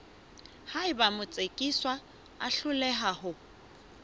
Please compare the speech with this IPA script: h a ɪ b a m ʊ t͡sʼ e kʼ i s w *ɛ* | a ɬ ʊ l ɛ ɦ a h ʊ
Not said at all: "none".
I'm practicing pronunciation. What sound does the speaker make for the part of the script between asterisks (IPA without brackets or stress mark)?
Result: a